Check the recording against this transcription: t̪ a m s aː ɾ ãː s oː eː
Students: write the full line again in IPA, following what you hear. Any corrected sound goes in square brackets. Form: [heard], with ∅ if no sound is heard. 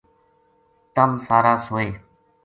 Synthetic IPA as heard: t̪ [ə] m s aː ɾ [aː] s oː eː